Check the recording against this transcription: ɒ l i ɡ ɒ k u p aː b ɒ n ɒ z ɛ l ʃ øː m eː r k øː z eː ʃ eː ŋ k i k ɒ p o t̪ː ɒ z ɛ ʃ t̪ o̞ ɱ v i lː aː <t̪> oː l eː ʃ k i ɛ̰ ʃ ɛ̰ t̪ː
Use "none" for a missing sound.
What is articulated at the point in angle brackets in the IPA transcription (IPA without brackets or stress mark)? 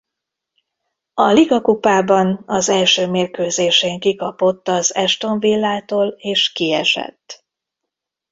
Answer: t̪